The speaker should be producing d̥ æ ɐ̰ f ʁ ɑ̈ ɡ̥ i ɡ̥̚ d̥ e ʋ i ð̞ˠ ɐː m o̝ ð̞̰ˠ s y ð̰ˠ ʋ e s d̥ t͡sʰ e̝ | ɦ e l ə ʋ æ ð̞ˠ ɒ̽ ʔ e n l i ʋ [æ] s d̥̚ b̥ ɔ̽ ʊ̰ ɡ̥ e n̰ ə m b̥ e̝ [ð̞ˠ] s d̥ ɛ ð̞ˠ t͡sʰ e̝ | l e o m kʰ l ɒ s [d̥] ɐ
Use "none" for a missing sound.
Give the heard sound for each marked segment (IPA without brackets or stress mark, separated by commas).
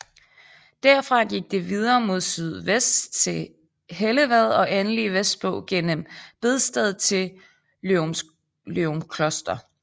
e, ð̞ˠ, d̥